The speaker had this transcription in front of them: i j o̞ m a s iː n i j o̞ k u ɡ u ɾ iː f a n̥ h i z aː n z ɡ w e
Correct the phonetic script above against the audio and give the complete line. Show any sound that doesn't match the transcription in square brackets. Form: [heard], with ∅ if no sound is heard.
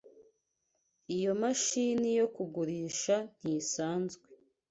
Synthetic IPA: i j o̞ m a [ʃ] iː n i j o̞ k u ɡ u ɾ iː [ʃ] a n̥ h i [s] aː n z ɡ w e